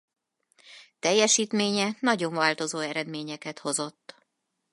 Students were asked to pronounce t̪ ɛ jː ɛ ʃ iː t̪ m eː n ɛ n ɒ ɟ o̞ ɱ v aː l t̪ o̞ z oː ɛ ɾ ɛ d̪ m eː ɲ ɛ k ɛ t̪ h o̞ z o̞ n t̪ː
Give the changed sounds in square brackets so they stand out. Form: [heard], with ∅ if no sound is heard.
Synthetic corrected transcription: t̪ ɛ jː ɛ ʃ iː t̪ m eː [ɲ] ɛ n ɒ ɟ o̞ ɱ v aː l t̪ o̞ z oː ɛ ɾ ɛ d̪ m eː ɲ ɛ k ɛ t̪ h o̞ z o̞ [∅] t̪ː

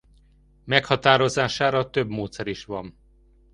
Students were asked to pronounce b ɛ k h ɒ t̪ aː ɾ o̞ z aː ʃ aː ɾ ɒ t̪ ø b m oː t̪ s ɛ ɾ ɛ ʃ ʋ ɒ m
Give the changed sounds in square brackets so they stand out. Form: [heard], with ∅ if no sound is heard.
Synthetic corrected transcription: [m] ɛ k h ɒ t̪ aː ɾ o̞ z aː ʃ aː ɾ ɒ t̪ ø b m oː t̪ s ɛ ɾ [i] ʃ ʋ ɒ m

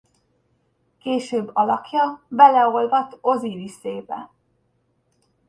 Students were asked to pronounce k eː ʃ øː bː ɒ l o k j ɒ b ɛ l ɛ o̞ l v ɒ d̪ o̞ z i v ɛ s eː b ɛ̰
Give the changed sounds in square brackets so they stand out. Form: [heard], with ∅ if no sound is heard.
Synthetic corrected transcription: k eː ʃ øː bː ɒ l [ɒ] k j ɒ b ɛ l ɛ o̞ l v ɒ [t̪] o̞ z i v [i] s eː b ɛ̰

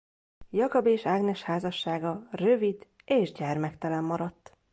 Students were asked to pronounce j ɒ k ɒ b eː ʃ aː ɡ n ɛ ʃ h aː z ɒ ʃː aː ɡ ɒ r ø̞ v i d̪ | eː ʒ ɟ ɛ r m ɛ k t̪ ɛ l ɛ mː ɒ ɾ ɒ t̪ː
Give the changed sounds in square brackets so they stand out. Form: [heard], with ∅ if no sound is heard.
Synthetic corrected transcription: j ɒ k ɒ b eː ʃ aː ɡ n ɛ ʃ h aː z ɒ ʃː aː ɡ ɒ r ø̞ v i d̪ | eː ʒ ɟ ɛ r m ɛ k t̪ ɛ l ɛ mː ɒ ɾ ɒ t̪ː

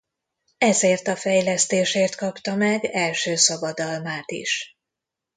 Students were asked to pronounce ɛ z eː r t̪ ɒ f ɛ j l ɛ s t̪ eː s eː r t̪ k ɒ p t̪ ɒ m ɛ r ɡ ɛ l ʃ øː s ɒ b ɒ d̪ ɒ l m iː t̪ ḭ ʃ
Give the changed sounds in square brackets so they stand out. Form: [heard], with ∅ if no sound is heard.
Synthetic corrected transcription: ɛ z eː r t̪ ɒ f ɛ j l ɛ s t̪ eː [ʃ] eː r t̪ k ɒ p t̪ ɒ m ɛ [∅] ɡ ɛ l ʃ øː s ɒ b ɒ d̪ ɒ l m [aː] t̪ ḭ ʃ

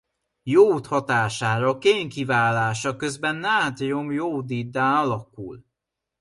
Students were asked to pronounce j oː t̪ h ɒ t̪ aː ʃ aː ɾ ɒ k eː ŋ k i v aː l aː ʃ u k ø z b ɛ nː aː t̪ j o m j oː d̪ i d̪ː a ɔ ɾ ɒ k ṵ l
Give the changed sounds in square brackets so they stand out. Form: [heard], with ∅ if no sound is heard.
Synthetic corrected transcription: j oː t̪ h ɒ t̪ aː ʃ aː ɾ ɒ k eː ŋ k i v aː l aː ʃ [ɒ] k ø z b ɛ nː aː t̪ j o m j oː d̪ i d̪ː a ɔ [l] ɒ k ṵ l

